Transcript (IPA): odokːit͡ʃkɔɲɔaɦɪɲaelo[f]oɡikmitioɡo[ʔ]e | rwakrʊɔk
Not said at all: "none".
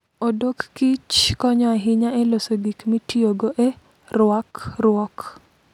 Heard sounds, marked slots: s, ʔ

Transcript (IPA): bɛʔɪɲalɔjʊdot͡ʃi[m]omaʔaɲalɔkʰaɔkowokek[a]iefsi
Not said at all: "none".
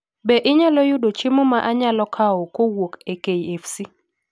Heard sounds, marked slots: m, e

